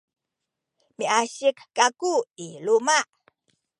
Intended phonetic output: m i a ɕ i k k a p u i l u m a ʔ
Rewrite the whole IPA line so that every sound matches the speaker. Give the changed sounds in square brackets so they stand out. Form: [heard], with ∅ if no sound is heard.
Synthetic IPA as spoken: m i a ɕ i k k a [k] u i l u m a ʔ

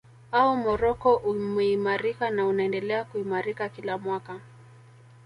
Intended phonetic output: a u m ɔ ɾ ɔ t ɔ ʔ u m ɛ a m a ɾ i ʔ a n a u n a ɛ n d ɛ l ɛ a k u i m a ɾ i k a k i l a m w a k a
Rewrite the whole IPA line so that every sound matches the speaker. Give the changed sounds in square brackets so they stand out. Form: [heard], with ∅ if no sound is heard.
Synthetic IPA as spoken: a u m ɔ ɾ ɔ [k] ɔ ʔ u m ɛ [i] m a ɾ i [k] a n a u n a ɛ n d ɛ l ɛ a k u i m a ɾ i k a k i l a m w a k a

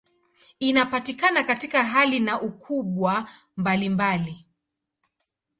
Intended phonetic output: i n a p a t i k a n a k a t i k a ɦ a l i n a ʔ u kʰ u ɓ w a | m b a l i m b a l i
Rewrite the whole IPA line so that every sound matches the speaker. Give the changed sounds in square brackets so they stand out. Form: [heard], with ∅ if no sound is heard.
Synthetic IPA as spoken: i n a p a t i k a n a k a t i k a ɦ a l i n a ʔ u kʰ u ɓ w a | m b a l i m b a l i

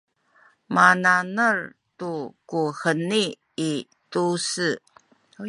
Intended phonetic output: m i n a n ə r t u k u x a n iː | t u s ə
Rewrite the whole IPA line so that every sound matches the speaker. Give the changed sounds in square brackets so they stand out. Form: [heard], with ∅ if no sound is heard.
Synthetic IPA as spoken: m [a] n a n ə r t u k u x [ə] n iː | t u s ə

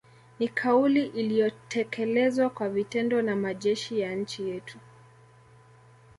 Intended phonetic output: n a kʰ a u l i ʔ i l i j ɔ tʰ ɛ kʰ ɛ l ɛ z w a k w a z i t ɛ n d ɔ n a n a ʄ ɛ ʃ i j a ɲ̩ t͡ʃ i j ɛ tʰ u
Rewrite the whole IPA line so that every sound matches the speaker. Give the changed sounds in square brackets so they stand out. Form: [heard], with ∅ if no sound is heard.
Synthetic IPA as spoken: n [i] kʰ a u l i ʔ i l i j ɔ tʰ ɛ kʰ ɛ l ɛ z w a k w a [v] i t ɛ n d ɔ n a [m] a ʄ ɛ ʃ i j a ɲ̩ t͡ʃ i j ɛ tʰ u

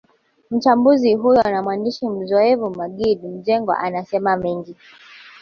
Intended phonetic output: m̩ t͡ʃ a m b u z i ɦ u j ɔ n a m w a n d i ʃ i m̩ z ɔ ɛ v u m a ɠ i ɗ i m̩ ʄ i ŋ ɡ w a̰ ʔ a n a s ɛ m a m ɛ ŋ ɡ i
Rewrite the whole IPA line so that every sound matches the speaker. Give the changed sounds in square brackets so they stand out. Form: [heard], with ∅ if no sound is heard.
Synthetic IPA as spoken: m̩ t͡ʃ a m b u z i ɦ u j ɔ n a m w a n d i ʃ i m̩ z ɔ ɛ v u m a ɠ i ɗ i m̩ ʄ [ɛ] ŋ ɡ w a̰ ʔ a n a s ɛ m a m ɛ ŋ ɡ i

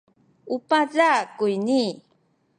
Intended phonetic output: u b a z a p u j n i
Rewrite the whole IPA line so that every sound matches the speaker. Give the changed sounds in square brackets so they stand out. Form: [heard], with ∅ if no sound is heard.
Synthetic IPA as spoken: u [p] a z a [k] u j n i

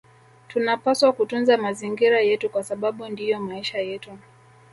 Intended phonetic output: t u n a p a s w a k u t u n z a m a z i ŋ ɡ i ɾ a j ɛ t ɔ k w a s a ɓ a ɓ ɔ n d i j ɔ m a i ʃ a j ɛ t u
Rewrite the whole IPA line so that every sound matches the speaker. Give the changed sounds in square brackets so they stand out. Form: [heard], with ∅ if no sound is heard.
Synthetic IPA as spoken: t u n a p a s w a k u t u n z a m a z i ŋ ɡ i ɾ a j ɛ t [u] k w a s a ɓ a ɓ [u] n d i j ɔ m a i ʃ a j ɛ t u

